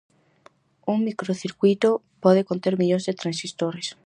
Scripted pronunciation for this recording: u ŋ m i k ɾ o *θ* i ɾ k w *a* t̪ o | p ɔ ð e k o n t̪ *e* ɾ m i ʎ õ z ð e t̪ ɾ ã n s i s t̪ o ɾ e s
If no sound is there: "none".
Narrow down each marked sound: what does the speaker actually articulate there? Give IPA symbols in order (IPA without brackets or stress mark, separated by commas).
θ, i, e